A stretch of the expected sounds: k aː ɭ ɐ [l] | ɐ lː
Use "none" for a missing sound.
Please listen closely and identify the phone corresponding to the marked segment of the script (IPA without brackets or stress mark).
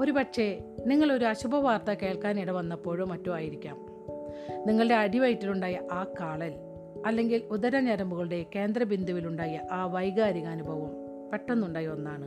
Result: l